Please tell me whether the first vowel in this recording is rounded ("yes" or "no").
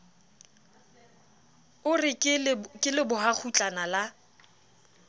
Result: yes